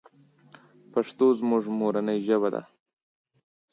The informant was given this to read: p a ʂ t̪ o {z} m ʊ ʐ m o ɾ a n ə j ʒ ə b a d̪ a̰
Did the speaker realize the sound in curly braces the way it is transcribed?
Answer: yes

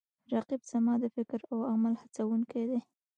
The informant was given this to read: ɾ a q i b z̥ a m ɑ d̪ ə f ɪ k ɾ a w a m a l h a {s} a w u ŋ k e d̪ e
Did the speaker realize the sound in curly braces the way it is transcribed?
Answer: no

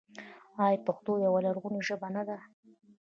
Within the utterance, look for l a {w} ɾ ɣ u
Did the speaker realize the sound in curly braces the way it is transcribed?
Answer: no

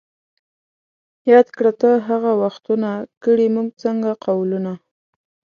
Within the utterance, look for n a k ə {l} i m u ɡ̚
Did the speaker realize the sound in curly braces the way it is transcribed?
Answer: no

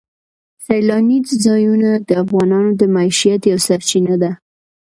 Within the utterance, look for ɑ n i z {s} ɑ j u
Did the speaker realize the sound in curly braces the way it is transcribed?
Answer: no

